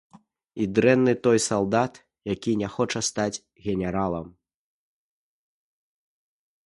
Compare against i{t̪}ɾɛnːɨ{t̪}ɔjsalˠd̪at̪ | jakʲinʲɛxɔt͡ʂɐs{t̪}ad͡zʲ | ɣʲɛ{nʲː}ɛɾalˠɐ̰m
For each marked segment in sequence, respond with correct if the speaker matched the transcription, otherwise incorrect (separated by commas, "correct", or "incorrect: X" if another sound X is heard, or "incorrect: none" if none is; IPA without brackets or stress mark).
incorrect: d̪, correct, correct, incorrect: nʲ